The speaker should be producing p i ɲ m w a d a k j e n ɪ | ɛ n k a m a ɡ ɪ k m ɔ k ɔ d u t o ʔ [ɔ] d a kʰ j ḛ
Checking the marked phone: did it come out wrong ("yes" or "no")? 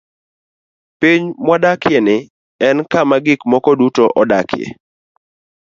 no